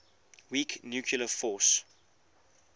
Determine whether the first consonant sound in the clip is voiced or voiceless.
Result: voiced